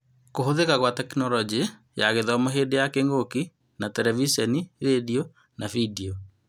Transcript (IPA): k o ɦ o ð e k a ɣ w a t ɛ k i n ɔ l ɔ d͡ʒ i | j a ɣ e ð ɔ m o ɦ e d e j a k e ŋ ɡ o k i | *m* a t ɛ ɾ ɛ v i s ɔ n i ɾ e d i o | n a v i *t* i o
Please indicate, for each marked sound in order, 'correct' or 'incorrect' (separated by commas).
incorrect, incorrect